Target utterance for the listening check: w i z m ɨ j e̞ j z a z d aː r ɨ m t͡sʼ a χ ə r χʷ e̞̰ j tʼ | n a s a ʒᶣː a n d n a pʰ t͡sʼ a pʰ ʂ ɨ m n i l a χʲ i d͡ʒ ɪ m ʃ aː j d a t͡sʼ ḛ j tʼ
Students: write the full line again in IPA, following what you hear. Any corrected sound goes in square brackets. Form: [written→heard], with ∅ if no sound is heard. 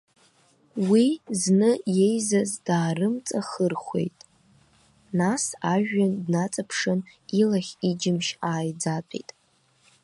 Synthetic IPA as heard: w i z [m→n] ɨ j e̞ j z a z d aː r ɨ m t͡sʼ a χ ə r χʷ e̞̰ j tʼ | n a s a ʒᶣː a n d n a [pʰ→∅] t͡sʼ a pʰ ʂ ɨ [m→∅] n i l a χʲ i d͡ʒ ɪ m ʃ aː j [d→d͡z] a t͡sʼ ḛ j tʼ